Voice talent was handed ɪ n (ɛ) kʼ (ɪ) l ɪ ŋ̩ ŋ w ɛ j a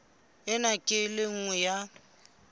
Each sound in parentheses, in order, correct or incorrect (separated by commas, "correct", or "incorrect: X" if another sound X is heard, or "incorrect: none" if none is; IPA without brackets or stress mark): incorrect: a, correct